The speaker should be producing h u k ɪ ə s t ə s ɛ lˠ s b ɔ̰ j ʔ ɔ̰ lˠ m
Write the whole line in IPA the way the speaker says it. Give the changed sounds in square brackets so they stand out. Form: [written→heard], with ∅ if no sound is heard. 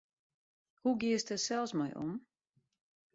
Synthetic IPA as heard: h u [k→ɡ] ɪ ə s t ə s ɛ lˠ s [b→m] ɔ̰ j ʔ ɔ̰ [lˠ→∅] m